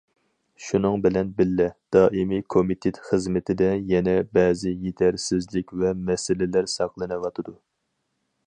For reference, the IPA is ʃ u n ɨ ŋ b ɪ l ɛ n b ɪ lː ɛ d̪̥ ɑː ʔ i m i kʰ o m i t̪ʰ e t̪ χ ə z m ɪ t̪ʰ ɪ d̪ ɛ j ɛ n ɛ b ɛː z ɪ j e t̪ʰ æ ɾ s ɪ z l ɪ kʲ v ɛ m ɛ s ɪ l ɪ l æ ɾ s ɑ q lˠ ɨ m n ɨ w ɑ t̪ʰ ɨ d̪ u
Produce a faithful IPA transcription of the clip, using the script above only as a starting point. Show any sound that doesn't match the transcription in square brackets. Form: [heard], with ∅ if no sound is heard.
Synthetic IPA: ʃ u n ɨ ŋ b ɪ l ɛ n b ɪ lː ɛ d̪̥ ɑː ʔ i m i kʰ o m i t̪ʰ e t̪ χ ə z m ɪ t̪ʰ ɪ d̪ ɛ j ɛ n ɛ b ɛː z ɪ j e t̪ʰ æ ɾ s ɪ z l ɪ kʲ v ɛ m ɛ s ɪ l ɪ l æ ɾ s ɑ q lˠ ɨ [∅] n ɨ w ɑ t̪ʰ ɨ d̪ u